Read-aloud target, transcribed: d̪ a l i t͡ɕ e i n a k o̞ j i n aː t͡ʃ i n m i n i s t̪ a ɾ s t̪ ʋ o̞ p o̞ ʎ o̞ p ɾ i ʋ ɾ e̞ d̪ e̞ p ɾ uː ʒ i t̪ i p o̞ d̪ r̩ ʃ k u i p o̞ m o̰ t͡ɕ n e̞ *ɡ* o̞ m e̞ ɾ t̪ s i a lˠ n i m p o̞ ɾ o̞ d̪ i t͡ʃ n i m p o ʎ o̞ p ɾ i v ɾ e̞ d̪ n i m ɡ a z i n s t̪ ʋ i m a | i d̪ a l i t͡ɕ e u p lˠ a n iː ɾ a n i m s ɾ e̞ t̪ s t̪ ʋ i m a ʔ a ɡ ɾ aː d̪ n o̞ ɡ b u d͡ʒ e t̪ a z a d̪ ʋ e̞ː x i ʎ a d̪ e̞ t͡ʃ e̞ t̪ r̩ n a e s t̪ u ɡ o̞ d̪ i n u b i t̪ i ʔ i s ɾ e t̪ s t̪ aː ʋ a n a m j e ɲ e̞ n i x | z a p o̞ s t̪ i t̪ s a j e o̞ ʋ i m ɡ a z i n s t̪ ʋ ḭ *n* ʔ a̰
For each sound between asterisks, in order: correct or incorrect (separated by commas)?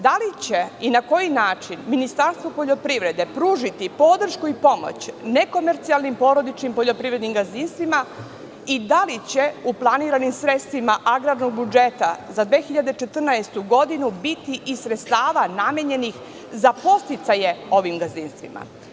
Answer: incorrect, incorrect